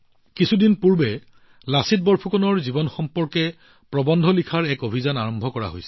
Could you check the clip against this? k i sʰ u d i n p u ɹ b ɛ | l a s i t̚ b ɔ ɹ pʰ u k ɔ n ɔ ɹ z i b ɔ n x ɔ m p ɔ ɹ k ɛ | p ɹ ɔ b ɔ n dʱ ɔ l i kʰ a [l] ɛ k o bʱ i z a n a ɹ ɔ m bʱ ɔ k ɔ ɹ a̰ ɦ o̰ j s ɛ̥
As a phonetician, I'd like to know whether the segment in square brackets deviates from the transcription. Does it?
yes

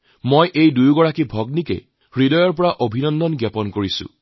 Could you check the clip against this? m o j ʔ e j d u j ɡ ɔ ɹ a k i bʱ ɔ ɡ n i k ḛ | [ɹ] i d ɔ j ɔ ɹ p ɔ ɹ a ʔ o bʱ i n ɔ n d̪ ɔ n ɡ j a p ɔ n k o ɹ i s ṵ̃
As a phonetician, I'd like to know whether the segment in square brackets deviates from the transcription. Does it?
no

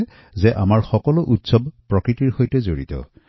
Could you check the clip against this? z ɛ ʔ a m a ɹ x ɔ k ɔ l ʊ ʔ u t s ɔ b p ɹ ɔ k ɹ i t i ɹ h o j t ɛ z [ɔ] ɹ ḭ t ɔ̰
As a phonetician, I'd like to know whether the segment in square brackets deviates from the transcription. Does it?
yes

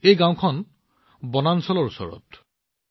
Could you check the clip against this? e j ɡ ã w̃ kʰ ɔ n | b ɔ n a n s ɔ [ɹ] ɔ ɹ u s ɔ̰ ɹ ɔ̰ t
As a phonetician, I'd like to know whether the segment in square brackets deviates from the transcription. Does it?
yes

